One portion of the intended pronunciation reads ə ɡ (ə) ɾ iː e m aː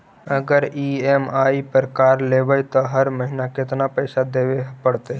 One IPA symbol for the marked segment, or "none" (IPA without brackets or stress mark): ə